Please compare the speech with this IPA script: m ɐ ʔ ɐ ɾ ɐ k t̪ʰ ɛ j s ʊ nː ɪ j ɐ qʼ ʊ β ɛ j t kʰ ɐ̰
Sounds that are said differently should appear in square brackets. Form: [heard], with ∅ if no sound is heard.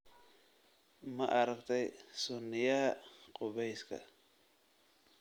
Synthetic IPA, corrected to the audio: m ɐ ʔ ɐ ɾ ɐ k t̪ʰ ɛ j s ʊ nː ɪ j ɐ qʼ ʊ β ɛ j [s] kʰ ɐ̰